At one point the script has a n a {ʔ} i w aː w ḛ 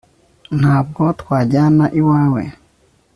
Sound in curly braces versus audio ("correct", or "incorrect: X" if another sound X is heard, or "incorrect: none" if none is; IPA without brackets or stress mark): correct